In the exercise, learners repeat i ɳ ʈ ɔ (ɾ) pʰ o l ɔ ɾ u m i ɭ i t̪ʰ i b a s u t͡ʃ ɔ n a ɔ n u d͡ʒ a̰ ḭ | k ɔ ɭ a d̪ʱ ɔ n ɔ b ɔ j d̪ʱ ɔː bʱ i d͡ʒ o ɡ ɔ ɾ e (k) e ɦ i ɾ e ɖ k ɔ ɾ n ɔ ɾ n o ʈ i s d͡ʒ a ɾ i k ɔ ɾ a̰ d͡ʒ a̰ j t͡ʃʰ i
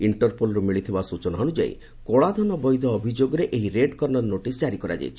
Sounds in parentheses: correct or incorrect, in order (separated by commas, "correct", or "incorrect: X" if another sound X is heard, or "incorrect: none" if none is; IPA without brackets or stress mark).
correct, incorrect: ʔ